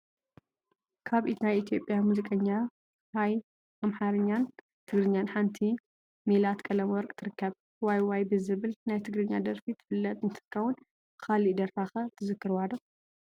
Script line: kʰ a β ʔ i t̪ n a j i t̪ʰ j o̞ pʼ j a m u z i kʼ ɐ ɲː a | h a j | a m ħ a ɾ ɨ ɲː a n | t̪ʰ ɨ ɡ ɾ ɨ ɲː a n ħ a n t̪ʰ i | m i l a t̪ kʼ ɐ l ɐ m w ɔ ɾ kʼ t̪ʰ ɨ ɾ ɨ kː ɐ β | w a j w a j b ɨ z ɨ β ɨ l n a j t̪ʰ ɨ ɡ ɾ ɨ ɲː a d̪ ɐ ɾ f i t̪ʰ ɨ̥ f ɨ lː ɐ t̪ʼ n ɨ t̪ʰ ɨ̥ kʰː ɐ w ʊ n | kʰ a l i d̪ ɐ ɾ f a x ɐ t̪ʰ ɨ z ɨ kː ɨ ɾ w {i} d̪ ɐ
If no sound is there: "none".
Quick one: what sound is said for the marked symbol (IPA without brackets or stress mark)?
a